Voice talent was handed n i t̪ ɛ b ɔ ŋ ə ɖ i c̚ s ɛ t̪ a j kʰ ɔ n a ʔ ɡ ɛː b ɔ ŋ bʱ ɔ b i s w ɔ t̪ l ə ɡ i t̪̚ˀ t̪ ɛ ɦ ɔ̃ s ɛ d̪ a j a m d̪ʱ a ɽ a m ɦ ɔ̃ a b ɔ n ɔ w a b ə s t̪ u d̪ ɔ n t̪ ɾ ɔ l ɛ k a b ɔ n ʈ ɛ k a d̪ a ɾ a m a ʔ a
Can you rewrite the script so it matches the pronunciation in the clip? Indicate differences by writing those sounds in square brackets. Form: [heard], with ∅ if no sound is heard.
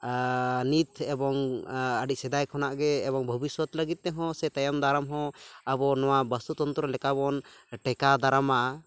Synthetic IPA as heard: n i t̪ ɛ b ɔ ŋ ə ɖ i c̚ s ɛ [d̪] a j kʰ ɔ n a ʔ ɡ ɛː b ɔ ŋ bʱ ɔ b i s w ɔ t̪ l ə ɡ i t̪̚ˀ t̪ ɛ ɦ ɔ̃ s ɛ [t̪] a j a m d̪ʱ a [ɾ] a m ɦ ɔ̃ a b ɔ n ɔ w a b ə s t̪ u [t̪] ɔ n t̪ ɾ ɔ l ɛ k a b ɔ n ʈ ɛ k a d̪ a ɾ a m a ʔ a